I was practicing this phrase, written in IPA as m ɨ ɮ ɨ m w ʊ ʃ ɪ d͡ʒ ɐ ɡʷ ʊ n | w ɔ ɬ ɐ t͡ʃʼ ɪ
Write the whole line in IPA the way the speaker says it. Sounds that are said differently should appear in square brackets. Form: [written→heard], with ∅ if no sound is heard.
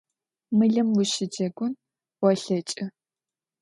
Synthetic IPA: m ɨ ɮ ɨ m w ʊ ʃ ɪ d͡ʒ ɐ ɡʷ ʊ n | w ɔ ɬ ɐ t͡ʃʼ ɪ